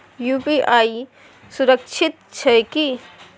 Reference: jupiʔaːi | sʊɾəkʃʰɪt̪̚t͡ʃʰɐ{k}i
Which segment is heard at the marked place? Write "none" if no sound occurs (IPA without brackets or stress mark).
k